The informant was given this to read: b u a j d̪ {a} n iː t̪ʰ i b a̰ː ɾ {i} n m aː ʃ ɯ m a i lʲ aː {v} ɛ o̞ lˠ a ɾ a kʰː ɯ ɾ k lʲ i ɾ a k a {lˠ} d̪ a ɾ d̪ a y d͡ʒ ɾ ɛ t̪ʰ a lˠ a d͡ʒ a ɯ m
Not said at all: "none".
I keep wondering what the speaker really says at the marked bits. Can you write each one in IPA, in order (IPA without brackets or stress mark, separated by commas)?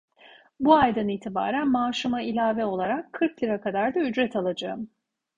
a, æ, v, none